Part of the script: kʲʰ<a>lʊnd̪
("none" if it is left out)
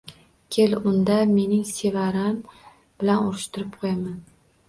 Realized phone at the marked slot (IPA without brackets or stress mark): e